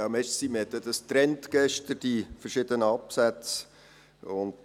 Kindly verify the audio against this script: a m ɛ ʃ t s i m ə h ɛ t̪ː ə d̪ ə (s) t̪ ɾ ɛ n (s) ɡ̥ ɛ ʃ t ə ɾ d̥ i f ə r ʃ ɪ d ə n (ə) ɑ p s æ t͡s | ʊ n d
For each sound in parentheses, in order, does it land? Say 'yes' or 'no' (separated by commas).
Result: yes, no, yes